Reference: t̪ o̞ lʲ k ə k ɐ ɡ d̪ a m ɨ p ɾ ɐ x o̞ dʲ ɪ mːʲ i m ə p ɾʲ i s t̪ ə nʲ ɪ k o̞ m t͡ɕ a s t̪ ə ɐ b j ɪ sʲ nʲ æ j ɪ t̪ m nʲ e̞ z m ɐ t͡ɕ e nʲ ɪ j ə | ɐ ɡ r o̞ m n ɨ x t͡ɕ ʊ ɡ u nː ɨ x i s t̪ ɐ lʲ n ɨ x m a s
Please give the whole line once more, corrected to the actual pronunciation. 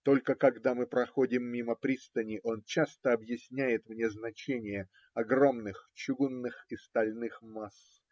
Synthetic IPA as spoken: t̪ o̞ lʲ k ə k ɐ ɡ d̪ a m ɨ p ɾ ɐ x o̞ dʲ ɪ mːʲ i m ə p ɾʲ i s t̪ ə nʲ ɪ ʔ o̞ n t͡ɕ a s t̪ ə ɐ b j ɪ sʲ nʲ æ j ɪ t̪ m nʲ e̞ z n ɐ t͡ɕ e nʲ ɪ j ə | ɐ ɡ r o̞ m n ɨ x t͡ɕ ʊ ɡ u nː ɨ x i s t̪ ɐ lʲ n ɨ x m a s

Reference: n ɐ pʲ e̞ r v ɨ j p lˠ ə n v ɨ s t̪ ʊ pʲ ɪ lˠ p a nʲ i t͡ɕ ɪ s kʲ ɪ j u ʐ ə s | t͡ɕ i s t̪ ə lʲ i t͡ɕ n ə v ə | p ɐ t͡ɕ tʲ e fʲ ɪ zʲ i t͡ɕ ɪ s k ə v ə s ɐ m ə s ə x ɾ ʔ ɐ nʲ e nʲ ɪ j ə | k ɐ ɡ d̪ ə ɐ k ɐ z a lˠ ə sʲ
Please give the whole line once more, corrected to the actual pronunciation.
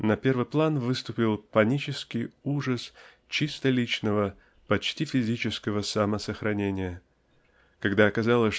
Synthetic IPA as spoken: n ɐ pʲ e̞ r v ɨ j p lˠ a n v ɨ s t̪ ʊ pʲ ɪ lˠ p ɐ nʲ i t͡ɕ ɪ s kʲ ɪ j u ʐ ə s | t͡ɕ i s t̪ ə lʲ i t͡ɕ n ə v ə | p ɐ t͡ɕ tʲ i fʲ ɪ zʲ i t͡ɕ ɪ s k ə v ə s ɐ m ə s ə x ɾ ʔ ɐ nʲ e nʲ ɪ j ə | k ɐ ɡ d̪ a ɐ k ɐ z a lˠ ə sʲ

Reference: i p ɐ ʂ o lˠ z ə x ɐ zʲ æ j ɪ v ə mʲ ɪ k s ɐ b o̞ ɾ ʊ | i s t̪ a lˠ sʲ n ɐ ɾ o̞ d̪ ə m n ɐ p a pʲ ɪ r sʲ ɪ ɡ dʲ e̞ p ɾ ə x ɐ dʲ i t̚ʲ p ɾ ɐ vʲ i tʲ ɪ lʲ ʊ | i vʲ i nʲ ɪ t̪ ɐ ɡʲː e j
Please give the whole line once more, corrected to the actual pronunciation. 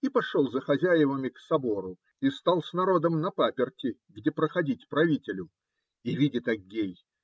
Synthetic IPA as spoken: i p ɐ ʂ o lˠ z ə x ɐ zʲ æ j ɪ v ə mʲ ɪ k s ɐ b o̞ ɾ ʊ | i s t̪ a lˠ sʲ n ɐ ɾ o̞ d̪ ə m n ɐ p a pʲ ɪ r tʲ ɪ ɡ dʲ e̞ p ɾ ə x ɐ dʲ i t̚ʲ p ɾ ɐ vʲ i tʲ ɪ lʲ ʊ | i vʲ i dʲ ɪ t̪ ɐ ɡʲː e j

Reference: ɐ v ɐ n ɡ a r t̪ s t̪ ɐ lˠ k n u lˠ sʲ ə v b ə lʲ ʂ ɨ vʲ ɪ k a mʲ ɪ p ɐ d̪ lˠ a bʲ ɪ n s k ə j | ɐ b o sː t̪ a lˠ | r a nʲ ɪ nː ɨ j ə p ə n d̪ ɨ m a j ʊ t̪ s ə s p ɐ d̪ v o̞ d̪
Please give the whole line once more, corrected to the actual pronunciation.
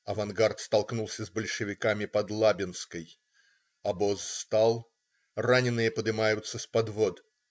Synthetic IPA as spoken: ɐ v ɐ n ɡ a r t̪ s t̪ ɐ lˠ k n u lˠ sʲ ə z b ə lʲ ʂ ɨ vʲ ɪ k a mʲ ɪ p ɐ d̪ lˠ a bʲ ɪ n s k ə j | ɐ b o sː t̪ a lˠ | r a nʲ ɪ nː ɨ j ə p ə d̪ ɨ m a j ʊ t̪ s ə s p ɐ d̪ v o̞ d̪

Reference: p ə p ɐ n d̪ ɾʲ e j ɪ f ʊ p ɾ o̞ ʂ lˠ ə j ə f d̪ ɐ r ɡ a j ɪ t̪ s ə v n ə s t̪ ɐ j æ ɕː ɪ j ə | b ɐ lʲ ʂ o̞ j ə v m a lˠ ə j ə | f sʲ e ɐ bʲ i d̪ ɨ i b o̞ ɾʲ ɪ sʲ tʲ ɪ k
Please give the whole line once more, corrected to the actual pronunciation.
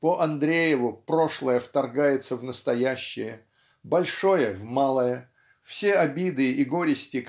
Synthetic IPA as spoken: p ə ʔ ɐ n d̪ ɾʲ e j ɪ v ʊ p ɾ o̞ ʂ lˠ ə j ə f t̪ ɐ r ɡ a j ɪ t̪ s ə v n ə s t̪ ɐ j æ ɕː ɪ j ə | b ɐ lʲ ʂ o̞ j ə v m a lˠ ə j ə | f sʲ e ɐ bʲ i d̪ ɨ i ɡ o̞ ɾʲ ɪ sʲ tʲ ɪ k

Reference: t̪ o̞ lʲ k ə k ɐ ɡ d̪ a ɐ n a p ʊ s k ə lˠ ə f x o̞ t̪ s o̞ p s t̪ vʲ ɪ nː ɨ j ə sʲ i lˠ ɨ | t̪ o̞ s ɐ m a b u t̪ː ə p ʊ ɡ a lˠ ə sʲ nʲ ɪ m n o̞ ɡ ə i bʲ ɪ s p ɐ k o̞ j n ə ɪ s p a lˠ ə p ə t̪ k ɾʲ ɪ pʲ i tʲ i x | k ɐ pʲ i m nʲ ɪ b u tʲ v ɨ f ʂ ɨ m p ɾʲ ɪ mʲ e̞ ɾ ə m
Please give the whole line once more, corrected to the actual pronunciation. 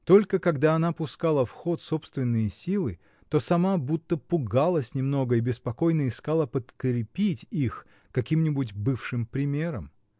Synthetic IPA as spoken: t̪ o̞ lʲ k ə k ɐ ɡ d̪ a ɐ n a p ʊ s k a lˠ ə f x o̞ t̪ s o̞ p s t̪ vʲ ɪ nː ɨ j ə sʲ i lˠ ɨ | t̪ o̞ s ɐ m a b u t̪ː ə p ʊ ɡ a lˠ ə sʲ nʲ ɪ m n o̞ ɡ ə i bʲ ɪ s p ɐ k o̞ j n ə ɪ s k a lˠ ə p ə t̪ k ɾʲ ɪ pʲ i tʲ i x | k ɐ kʲ i m nʲ ɪ b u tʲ b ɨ f ʂ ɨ m p ɾʲ ɪ mʲ e̞ ɾ ə m

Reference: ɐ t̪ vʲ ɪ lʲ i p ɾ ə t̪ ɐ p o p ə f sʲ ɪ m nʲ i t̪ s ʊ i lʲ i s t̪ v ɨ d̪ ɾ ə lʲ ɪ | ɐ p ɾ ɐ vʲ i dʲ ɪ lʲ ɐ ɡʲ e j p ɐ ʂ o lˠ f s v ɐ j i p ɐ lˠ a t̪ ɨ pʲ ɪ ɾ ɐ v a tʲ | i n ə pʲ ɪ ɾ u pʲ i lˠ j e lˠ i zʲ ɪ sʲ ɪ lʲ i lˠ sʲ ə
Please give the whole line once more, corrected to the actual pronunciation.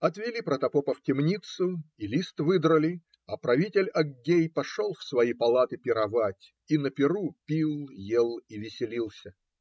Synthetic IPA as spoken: ɐ t̪ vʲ ɪ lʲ i p ɾ ə t̪ ɐ p o p ə f tʲ ɪ m nʲ i t̪ s ʊ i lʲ i s t̪ v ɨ d̪ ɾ ə lʲ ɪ | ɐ p ɾ ɐ vʲ i tʲ ɪ lʲ ɐ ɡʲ e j p ɐ ʂ o lˠ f s v ɐ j i p ɐ lˠ a t̪ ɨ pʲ ɪ ɾ ɐ v a tʲ | i n ə pʲ ɪ ɾ u pʲ i lˠ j e lˠ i vʲ ɪ sʲ ɪ lʲ i lˠ sʲ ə

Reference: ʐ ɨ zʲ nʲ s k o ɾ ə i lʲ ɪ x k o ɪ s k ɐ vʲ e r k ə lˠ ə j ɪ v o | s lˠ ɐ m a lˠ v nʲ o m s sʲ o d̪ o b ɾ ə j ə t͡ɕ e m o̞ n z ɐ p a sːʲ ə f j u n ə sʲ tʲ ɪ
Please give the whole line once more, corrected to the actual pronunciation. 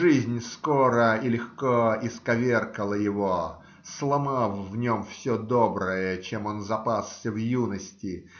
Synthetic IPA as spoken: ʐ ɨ zʲ nʲ s k o ɾ ə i lʲ ɪ x k o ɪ s k ɐ vʲ e r k ə lˠ ə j ɪ v o | s lˠ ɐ m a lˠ v nʲ o m f sʲ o d̪ o b ɾ ə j ə t͡ɕ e m o̞ n z ɐ p a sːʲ ə v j u n ə sʲ tʲ ɪ

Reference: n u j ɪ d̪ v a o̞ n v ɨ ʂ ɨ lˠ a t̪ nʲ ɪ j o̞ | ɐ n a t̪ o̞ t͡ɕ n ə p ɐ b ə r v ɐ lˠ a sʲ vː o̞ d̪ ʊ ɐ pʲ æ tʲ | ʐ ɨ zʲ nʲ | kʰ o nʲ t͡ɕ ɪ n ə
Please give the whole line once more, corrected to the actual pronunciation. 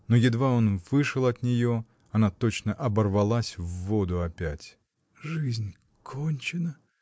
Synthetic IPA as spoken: n o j ɪ d̪ v a o̞ n v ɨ ʂ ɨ lˠ ɐ t̪ nʲ ɪ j o̞ | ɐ n a t̪ o̞ t͡ɕ n ə ʔ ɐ b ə r v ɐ lˠ a sʲ vː o̞ d̪ ʊ ɐ pʲ æ tʲ | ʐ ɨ zʲ nʲ | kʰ o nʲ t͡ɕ ɪ n ə

